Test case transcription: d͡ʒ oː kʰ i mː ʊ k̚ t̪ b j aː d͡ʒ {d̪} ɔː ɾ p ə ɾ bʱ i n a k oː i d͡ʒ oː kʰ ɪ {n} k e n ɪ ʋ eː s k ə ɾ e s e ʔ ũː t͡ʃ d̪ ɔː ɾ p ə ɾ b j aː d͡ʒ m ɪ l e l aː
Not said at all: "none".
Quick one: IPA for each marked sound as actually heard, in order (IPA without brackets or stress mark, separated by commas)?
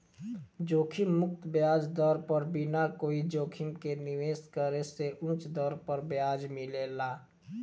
d̪, m